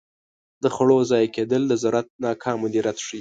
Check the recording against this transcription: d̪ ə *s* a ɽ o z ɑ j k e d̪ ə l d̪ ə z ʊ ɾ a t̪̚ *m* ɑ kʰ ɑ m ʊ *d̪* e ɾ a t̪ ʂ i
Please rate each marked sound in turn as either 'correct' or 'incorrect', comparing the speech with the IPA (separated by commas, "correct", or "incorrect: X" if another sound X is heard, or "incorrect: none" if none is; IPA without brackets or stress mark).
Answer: incorrect: x, incorrect: n, correct